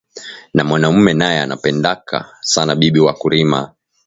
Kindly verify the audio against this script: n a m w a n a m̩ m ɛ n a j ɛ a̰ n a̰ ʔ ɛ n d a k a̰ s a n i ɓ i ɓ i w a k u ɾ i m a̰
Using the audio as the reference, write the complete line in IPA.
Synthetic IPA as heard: n a m w a n a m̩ m ɛ n a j ɛ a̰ n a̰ p ɛ n d a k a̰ s a n a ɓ i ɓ i w a k u ɾ i m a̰